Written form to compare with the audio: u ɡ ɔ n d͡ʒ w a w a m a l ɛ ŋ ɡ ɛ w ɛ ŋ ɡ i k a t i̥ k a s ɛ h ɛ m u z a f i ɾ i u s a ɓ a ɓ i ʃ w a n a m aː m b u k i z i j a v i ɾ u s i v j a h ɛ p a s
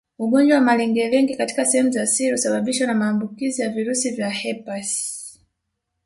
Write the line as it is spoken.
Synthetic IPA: u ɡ ɔ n d͡ʒ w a w a m a l ɛ ŋ ɡ ɛ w ɛ ŋ ɡ i k a t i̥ k a s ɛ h ɛ m u z a s i ɾ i u s a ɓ a ɓ i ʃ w a n a m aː m b u k i z i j a v i ɾ u s i v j a h ɛ p a s